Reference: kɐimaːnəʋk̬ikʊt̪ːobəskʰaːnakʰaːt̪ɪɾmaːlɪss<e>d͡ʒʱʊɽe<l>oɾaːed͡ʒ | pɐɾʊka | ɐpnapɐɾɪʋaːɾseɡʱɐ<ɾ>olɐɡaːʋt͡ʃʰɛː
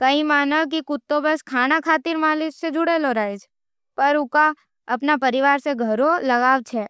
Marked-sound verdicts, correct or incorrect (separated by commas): correct, correct, correct